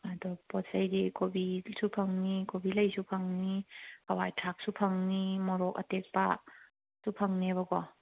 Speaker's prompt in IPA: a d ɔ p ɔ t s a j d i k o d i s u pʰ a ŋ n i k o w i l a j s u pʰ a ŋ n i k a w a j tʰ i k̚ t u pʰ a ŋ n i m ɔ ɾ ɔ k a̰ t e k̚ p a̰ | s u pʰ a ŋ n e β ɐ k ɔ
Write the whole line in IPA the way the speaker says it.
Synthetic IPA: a d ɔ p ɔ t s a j d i k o b i s u pʰ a ŋ n i k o b i l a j s u pʰ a ŋ n i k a w a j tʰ a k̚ s u pʰ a ŋ n i m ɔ ɾ ɔ k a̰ t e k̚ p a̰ | s u pʰ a ŋ n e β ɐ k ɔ